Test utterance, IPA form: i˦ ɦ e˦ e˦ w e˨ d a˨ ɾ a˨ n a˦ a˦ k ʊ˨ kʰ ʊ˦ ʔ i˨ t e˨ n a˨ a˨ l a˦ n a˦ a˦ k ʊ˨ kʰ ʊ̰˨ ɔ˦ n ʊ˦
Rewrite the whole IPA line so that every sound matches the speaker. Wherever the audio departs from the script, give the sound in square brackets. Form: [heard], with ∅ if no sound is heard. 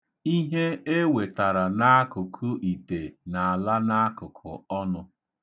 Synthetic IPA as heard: i˦ ɦ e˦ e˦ w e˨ [t] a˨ ɾ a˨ n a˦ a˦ k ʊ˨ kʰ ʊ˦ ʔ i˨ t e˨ n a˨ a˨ l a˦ n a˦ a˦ k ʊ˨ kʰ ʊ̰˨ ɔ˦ n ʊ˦